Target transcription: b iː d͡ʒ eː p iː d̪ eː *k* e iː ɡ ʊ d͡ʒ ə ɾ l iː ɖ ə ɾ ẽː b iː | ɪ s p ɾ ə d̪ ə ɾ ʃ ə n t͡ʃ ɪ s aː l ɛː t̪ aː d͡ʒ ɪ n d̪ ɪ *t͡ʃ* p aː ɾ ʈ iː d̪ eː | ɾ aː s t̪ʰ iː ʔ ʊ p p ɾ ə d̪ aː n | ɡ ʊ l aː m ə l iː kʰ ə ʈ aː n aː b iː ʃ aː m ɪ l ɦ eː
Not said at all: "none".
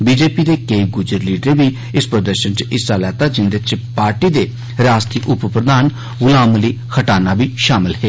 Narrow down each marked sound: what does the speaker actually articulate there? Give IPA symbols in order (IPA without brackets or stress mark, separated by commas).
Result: k, t͡ʃ